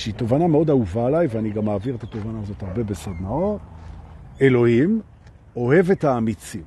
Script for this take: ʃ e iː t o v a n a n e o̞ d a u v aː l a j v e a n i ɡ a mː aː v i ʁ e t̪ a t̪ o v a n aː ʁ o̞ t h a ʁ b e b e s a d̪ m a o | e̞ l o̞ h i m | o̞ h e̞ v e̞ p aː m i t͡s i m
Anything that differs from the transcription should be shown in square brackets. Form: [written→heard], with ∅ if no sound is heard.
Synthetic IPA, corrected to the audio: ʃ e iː t o v a n a [n→m] e o̞ d a u v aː l a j v e a n i ɡ a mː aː v i ʁ e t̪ a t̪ o v a n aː [ʁ→z] o̞ t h a ʁ b e b e s a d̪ [m→n] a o | e̞ l o̞ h i m | o̞ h e̞ v e̞ [p→t] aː m i t͡s i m